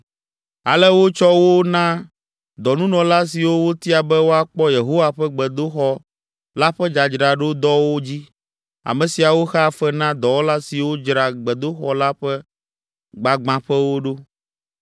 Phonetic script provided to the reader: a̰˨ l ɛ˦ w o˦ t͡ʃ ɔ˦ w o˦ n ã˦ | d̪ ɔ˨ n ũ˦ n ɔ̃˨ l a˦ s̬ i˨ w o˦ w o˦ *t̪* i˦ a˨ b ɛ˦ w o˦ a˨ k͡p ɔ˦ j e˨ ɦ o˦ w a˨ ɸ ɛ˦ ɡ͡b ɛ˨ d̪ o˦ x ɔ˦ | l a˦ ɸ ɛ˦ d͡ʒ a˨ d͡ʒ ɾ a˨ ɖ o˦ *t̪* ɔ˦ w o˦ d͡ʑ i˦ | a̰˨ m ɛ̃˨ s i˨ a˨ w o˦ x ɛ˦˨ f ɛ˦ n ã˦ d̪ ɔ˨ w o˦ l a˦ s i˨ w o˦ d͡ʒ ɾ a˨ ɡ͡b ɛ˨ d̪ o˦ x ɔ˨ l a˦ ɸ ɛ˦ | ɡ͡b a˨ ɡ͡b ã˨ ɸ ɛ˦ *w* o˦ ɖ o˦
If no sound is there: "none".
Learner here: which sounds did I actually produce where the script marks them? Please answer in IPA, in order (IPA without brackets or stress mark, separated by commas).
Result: t̪, d̪, w